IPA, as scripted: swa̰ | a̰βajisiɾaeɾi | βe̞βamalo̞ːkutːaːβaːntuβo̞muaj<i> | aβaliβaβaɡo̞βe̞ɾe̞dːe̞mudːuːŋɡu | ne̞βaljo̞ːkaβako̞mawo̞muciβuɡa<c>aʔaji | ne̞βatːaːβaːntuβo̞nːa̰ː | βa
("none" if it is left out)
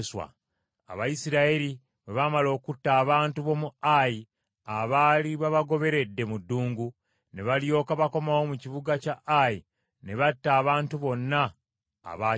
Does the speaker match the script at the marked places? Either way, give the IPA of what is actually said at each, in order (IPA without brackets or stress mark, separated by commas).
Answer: i, c